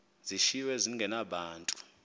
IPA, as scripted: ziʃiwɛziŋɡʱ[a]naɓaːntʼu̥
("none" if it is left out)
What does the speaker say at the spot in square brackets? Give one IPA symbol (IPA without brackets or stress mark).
ɛ